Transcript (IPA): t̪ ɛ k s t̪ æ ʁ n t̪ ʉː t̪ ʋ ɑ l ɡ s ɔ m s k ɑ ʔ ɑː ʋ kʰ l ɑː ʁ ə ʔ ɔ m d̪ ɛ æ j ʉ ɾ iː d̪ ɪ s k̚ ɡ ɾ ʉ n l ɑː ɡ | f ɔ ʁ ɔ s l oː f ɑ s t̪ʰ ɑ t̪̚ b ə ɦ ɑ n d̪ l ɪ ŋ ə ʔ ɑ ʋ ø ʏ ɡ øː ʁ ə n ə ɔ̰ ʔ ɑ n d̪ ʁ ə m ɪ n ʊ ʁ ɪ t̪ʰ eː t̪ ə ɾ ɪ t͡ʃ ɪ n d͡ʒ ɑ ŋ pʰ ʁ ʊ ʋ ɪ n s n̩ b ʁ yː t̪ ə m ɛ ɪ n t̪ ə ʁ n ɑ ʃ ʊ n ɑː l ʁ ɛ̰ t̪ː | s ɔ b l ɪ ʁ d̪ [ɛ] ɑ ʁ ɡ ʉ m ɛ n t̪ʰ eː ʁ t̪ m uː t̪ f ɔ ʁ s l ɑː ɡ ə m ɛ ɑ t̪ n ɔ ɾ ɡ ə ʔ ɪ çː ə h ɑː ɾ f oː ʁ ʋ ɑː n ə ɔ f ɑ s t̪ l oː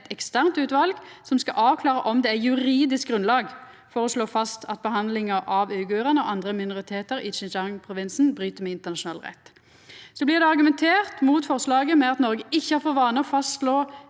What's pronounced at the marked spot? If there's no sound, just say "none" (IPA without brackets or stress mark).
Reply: ɛ